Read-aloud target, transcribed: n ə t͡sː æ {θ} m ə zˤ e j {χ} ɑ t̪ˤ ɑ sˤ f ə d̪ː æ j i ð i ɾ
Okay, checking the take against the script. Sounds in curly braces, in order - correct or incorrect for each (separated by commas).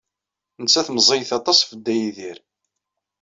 correct, incorrect